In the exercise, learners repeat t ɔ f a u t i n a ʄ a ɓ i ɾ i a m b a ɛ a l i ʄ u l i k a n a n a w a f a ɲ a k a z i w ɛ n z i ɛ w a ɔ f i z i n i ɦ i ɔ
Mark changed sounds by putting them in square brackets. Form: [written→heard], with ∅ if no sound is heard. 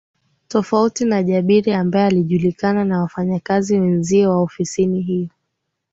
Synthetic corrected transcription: t ɔ f a u t i n a ʄ a ɓ i ɾ i a m b a ɛ a l i ʄ u l i k a n a n a w a f a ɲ a k a z i w ɛ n z i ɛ w a ɔ f i [z→s] i n i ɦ i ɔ